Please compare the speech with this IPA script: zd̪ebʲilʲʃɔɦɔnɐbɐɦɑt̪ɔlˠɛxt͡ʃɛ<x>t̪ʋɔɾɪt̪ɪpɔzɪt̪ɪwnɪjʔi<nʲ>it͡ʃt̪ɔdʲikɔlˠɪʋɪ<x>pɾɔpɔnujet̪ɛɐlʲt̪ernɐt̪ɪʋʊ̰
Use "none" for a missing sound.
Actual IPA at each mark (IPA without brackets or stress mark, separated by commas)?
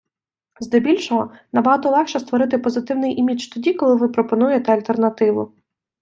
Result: s, mʲ, none